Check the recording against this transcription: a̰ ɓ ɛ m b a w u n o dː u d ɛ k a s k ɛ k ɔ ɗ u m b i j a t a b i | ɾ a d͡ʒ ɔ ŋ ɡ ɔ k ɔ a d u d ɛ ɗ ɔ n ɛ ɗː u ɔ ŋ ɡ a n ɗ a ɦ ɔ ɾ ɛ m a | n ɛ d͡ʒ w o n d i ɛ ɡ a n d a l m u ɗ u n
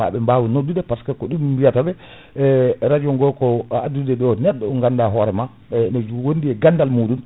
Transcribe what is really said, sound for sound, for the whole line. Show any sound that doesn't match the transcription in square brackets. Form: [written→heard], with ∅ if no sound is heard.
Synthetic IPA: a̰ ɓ ɛ m b a w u n o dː u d ɛ [k→p] a s k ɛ k ɔ ɗ u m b i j a t a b [i→ɛ] | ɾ a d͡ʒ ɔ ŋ ɡ ɔ k ɔ a d u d ɛ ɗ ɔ n ɛ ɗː [u→ɔ] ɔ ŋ ɡ a n [ɗ→d] a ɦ ɔ ɾ ɛ m a | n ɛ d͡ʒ w o n d i ɛ ɡ a n d a l m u ɗ u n